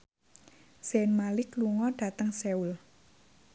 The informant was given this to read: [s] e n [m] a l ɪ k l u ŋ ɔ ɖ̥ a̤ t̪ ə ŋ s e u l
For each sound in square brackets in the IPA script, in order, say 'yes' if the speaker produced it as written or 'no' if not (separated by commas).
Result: yes, yes